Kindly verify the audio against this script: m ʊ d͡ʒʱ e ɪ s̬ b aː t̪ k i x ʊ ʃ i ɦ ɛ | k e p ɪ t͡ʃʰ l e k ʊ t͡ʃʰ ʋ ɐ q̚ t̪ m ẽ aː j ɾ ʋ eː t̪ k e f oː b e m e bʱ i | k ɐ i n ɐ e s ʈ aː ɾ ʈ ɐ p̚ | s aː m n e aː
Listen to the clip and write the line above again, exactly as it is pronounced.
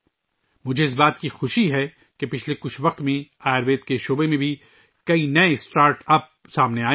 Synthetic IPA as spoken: m ʊ d͡ʒʱ e ɪ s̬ b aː t̪ k i x ʊ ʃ i ɦ ɛ | k e p ɪ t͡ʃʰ l e k ʊ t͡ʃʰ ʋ ɐ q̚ t̪ m ẽ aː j ɾ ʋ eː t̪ k e ʃ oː b e m ẽ bʱ i | k ɐ i n ɐ e s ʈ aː ɾ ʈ ɐ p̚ | s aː m n e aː

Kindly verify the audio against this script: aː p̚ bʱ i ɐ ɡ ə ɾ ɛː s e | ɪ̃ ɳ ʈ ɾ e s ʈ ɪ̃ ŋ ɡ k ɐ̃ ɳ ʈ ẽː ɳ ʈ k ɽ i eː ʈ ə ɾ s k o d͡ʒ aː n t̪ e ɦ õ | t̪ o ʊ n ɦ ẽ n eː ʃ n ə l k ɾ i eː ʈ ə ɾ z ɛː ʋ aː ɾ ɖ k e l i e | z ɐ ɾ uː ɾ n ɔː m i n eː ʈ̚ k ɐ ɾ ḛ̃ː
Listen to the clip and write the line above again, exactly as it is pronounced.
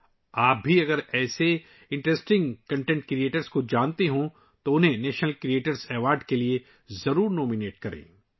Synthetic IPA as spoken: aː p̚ bʱ i ɐ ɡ ə ɾ ɛː s e | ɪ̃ ɳ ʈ ɾ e s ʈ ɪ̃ ŋ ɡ k ɐ̃ ɳ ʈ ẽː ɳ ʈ k ɾ i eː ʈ ə ɾ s k o d͡ʒ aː n t̪ e ɦ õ | t̪ o ʊ n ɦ ẽ n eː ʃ n ə l k ɾ i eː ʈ ə ɾ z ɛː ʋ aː ɾ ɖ k e l i e | z ɐ ɾ uː ɾ n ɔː m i n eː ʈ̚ k ɐ ɾ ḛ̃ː

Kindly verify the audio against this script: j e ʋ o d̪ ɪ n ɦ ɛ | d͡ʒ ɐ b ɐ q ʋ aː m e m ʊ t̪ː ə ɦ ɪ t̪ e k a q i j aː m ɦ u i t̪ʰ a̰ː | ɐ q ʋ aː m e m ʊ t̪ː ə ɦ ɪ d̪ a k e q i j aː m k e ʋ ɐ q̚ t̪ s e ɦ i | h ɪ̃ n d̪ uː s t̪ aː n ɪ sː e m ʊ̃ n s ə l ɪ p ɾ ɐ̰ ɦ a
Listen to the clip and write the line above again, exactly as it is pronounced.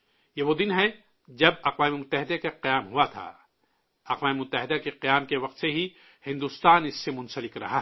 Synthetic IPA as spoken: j e ʋ o d̪ ɪ n ɦ ɛ | d͡ʒ ɐ b ɐ q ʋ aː m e m ʊ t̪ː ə ɦ ɪ d̪ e k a q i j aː m ɦ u a t̪ʰ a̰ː | ɐ q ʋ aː m e m ʊ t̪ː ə ɦ ɪ d̪ a k e q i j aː m k e ʋ ɐ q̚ t̪ s e ɦ i | h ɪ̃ n d̪ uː s t̪ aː n ɪ sː e m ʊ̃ n s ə l ɪ k ɾ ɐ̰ ɦ a

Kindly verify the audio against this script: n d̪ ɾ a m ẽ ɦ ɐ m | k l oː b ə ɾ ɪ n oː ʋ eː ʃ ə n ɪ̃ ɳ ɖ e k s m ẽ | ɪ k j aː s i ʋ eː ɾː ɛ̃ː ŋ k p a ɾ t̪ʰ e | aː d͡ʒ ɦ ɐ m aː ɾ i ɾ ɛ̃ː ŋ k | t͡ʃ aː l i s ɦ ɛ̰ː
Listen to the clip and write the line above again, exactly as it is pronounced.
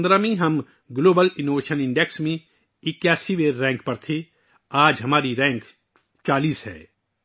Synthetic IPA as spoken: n d̪ ɾ a m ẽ ɦ ɐ m | ɡ l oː b ə l ɪ n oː ʋ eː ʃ ə n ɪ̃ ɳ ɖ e k s m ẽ | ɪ k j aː s i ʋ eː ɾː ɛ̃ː ŋ k p ɐ ɾ t̪ʰ e | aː d͡ʒ ɦ ɐ m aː ɾ i ɾ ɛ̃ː ŋ k | t͡ʃ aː l iː s ɦ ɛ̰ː

